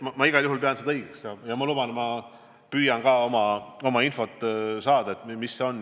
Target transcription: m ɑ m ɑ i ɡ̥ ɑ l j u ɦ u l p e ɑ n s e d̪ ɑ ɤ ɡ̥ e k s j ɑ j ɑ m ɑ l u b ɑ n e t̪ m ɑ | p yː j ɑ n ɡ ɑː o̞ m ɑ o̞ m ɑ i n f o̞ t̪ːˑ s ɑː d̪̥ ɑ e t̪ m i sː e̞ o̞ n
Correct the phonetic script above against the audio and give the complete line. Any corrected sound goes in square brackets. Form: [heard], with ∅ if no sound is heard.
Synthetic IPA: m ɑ m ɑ i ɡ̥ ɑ l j u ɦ u l p e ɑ n s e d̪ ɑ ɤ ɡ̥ e k s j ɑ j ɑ m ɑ l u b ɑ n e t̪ m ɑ | p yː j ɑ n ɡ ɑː o̞ m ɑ o̞ m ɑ i n f o̞ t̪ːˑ s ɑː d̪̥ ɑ e t̪ m i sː e̞ o̞ n